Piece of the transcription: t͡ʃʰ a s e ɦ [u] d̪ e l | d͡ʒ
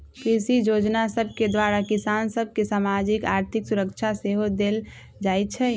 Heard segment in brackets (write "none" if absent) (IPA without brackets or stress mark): o